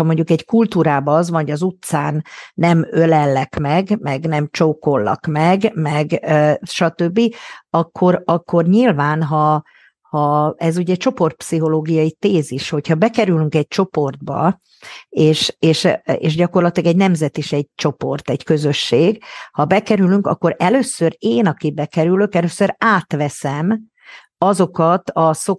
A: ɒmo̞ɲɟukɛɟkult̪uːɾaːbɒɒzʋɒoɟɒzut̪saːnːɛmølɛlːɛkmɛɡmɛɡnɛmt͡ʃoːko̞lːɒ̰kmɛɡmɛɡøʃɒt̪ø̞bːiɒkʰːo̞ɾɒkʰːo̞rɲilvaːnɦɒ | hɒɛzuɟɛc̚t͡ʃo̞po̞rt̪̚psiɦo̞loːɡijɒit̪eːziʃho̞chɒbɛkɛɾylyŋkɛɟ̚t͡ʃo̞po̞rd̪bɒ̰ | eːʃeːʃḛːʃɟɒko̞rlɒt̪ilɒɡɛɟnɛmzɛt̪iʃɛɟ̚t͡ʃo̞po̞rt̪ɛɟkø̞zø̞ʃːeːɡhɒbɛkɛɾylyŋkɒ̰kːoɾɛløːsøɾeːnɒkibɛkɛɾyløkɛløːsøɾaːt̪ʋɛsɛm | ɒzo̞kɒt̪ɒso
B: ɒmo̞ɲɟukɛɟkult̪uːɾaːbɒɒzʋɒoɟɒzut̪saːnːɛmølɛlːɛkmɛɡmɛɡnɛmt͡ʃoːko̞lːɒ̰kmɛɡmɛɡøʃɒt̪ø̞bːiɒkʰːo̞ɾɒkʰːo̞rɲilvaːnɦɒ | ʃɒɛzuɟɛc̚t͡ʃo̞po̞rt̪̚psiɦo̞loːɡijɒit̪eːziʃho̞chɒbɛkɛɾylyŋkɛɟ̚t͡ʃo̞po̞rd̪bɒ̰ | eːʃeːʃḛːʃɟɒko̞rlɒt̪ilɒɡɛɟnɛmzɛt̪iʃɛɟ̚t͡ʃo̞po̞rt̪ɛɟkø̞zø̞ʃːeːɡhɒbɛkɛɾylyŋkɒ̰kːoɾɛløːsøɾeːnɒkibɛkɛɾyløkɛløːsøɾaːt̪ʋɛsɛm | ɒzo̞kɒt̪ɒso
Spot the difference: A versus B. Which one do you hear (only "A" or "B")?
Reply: A